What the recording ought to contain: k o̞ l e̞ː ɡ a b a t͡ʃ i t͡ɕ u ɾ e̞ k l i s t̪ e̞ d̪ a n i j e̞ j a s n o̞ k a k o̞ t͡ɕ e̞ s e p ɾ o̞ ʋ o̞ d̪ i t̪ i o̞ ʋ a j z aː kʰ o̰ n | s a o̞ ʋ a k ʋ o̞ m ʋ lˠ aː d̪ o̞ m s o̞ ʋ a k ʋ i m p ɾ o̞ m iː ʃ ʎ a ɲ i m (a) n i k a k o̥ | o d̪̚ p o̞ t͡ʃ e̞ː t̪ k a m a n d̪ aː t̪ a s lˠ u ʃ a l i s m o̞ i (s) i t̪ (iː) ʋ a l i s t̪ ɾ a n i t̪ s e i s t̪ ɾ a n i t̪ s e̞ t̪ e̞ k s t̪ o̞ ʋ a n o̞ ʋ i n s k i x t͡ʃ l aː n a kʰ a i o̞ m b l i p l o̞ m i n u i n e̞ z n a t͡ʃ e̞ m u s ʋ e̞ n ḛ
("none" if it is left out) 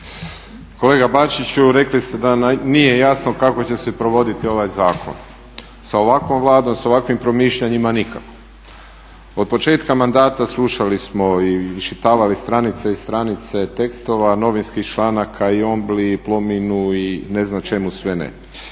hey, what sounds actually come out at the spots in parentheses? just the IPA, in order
a, ʃ, aː

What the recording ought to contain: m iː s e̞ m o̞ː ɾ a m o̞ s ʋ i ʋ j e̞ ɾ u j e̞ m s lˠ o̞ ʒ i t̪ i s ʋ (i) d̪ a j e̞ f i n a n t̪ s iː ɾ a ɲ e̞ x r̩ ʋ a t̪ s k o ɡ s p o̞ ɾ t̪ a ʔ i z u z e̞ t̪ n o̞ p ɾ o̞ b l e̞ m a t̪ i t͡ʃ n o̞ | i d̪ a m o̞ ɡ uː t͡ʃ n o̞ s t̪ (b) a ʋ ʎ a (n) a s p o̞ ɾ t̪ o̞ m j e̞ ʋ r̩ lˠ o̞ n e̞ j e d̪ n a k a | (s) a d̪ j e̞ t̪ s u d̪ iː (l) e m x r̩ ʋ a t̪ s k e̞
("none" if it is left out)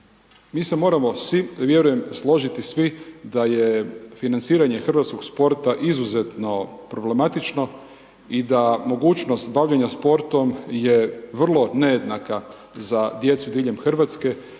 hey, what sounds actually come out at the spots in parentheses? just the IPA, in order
i, b, ɲ, z, ʎ

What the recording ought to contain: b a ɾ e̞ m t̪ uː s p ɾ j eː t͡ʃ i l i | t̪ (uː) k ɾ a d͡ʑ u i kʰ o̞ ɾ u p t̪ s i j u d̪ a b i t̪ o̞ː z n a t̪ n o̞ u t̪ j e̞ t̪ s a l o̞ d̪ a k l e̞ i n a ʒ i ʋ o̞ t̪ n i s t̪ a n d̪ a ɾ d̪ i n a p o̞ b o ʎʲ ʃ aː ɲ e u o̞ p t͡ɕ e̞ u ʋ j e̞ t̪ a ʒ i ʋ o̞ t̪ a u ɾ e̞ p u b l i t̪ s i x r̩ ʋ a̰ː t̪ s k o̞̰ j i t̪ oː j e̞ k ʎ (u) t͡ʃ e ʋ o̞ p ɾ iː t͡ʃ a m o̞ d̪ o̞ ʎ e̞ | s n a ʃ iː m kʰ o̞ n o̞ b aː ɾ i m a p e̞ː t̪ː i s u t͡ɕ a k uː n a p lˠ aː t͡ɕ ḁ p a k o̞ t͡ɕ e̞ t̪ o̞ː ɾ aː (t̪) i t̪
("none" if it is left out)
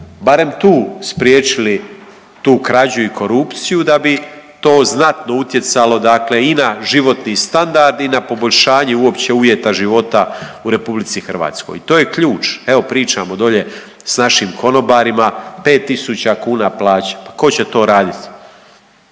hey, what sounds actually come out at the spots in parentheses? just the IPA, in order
uː, uː, d̪

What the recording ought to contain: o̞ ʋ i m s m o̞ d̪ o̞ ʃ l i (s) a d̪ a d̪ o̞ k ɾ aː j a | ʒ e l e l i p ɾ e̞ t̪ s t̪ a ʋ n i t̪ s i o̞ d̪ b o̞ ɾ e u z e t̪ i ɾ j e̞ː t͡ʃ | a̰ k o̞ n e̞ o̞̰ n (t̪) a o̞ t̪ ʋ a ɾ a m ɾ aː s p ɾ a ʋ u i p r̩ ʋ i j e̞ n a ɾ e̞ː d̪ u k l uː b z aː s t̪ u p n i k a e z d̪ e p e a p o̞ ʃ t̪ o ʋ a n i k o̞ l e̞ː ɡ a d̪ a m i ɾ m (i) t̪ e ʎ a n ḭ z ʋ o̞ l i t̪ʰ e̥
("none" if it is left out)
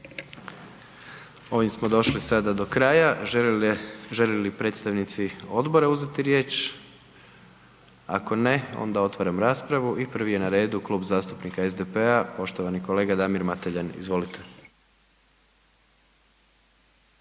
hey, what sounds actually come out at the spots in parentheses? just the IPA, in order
s, d̪, a

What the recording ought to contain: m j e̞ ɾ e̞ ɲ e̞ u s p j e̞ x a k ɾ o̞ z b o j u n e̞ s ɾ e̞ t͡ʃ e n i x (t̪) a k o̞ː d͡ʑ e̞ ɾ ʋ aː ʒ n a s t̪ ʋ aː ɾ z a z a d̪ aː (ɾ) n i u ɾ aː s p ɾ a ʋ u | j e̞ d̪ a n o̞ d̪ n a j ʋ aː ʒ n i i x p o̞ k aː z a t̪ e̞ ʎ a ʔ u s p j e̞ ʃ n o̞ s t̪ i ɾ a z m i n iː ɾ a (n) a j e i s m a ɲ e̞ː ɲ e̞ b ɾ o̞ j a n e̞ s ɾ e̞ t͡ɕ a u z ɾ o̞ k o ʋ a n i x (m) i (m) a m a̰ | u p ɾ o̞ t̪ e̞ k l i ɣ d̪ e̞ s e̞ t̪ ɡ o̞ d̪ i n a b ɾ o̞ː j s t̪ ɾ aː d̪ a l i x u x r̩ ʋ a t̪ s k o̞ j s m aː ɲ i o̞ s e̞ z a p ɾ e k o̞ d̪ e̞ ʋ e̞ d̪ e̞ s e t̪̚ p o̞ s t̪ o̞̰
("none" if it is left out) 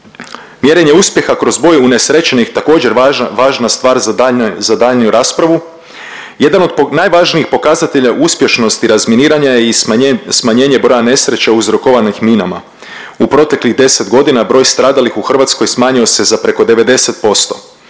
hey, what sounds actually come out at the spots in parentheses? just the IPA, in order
t̪, ʎ, ɲ, m, n

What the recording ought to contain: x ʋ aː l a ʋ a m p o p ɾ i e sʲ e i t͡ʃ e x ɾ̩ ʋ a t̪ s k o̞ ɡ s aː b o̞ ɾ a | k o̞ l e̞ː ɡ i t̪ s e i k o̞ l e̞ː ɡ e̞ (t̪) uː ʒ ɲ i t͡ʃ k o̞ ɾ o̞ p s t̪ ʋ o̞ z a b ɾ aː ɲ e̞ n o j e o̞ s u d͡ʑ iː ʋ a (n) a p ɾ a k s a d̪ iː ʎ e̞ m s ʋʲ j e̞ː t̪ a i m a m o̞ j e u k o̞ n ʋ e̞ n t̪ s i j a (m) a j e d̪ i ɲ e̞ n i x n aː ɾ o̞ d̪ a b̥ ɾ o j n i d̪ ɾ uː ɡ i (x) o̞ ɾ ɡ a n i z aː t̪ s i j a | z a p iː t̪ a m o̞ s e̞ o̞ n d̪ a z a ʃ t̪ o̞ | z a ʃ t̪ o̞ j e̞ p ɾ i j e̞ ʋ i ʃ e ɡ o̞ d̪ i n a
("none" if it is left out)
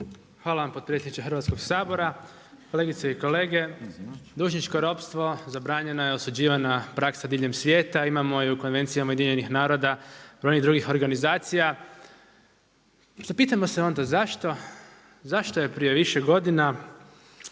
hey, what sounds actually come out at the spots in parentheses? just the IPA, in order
d̪, n, m, x

